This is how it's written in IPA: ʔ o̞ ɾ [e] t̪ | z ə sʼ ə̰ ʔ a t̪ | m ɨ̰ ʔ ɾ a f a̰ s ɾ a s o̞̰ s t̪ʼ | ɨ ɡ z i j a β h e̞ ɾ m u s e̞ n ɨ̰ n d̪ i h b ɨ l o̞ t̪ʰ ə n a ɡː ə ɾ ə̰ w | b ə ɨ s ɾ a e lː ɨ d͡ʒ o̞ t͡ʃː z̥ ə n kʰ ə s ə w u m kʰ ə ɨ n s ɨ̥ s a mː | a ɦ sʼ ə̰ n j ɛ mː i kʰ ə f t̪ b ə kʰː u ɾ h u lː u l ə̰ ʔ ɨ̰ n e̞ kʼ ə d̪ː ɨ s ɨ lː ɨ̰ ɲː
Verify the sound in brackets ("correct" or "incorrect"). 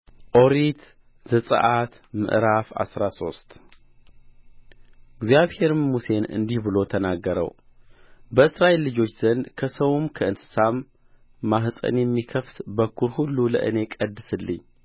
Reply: incorrect